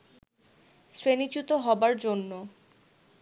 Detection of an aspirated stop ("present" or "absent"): absent